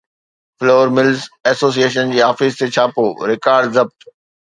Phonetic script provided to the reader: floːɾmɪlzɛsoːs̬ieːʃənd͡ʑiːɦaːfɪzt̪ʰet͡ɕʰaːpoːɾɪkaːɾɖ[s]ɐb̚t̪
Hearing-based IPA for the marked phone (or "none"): z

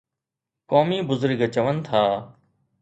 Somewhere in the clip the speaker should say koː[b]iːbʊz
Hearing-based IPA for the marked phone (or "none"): m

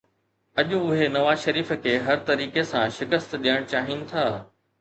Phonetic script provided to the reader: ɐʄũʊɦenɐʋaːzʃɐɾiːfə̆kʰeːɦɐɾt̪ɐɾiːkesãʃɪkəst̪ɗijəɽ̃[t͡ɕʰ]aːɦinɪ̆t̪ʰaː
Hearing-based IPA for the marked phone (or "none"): t͡ɕ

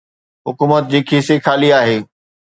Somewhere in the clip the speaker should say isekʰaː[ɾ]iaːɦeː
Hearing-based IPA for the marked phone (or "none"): l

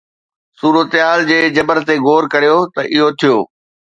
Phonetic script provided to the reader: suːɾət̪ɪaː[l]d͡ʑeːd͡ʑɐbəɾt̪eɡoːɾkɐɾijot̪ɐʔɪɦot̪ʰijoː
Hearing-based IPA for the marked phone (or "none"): l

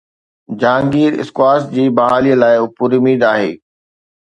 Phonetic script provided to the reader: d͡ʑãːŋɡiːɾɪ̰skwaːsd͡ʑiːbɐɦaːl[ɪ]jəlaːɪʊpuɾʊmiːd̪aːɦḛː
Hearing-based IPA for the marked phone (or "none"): i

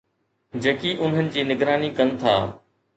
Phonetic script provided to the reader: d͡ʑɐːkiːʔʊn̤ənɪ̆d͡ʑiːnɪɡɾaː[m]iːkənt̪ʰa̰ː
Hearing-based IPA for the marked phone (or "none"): n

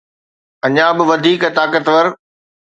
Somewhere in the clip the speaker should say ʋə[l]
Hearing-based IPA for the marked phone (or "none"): ɾ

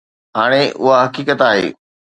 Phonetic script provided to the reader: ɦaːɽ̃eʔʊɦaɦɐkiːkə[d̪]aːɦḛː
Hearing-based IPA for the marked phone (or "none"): t̪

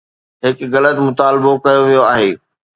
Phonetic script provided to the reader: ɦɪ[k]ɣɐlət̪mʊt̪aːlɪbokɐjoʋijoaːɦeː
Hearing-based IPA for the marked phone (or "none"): k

